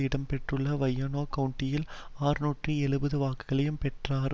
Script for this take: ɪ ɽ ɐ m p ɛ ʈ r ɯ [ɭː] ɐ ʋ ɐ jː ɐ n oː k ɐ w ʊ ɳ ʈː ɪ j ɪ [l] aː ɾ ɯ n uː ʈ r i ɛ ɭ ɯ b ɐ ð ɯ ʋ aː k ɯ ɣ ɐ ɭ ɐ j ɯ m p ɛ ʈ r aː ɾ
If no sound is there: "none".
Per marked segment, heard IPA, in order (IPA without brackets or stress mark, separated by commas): ɭː, l